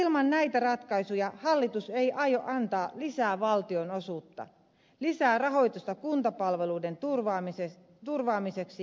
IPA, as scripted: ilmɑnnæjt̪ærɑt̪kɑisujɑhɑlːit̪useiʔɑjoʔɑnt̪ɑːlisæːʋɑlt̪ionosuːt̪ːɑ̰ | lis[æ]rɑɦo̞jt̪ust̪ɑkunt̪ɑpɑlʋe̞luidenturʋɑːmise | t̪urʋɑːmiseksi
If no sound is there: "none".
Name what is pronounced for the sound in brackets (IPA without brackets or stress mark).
æː